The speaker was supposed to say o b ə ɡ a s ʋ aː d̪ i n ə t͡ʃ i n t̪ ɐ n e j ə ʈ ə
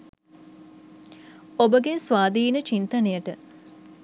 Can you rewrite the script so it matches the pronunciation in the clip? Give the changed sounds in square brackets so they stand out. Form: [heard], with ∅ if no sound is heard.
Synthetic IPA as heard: o b ə ɡ [e] s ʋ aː d̪ [iː] n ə t͡ʃ i n t̪ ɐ n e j ə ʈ ə